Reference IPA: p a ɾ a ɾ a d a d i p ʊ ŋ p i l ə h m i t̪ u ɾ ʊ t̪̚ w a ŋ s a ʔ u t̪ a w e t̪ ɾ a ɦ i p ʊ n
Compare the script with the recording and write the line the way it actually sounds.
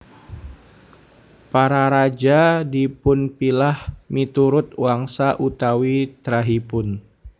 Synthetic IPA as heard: p a ɾ a ɾ a d͡ʒ a d i p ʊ n p i l a h m i t̪ u ɾ ʊ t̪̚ w a ŋ s a ʔ u t̪ a w i t̪ ɾ a ɦ i p ʊ n